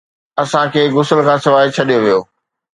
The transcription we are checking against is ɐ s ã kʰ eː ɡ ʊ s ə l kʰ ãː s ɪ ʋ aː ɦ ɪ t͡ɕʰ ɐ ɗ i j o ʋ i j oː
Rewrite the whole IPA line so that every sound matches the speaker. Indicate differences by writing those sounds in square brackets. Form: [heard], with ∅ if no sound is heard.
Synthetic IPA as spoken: ɐ s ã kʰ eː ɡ ʊ s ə l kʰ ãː s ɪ ʋ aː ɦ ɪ t͡ɕʰ ɐ ɗ i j o ʋ i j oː